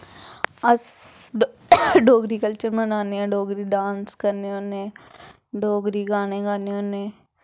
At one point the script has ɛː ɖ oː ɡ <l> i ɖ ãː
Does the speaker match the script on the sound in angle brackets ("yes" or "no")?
no